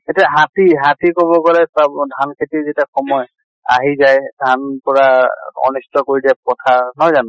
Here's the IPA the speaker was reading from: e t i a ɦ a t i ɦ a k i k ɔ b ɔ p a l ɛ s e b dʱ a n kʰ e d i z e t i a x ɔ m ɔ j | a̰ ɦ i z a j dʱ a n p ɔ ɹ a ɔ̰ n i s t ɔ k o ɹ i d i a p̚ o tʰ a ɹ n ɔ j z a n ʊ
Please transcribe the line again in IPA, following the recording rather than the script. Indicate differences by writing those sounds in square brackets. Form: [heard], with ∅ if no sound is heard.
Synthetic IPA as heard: e t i a ɦ a t i ɦ a [t] i k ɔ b ɔ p a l ɛ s [a] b dʱ a n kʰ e [t] i z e t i a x ɔ m ɔ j | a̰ ɦ i z a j dʱ a n p ɔ ɹ a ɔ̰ n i s t ɔ k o ɹ i d i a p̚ [ɔ] tʰ a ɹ n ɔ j z a n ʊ